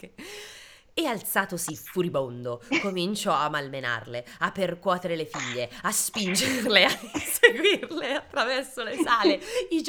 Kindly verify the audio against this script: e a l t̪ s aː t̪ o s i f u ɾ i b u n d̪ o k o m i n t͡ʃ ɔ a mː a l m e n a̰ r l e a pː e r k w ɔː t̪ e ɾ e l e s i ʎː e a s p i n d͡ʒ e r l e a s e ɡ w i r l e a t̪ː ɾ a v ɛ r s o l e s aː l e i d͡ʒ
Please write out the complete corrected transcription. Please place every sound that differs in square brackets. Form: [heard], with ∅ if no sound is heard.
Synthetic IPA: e a l t̪ s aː t̪ o s i f u ɾ i b [o] n d̪ o k o m i n t͡ʃ ɔ a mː a l m e n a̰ r l e a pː e r k w ɔː t̪ e ɾ e l e [f] i ʎː e a s p i n d͡ʒ e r l e a s e ɡ w i r l e a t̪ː ɾ a v ɛ r s o l e s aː l e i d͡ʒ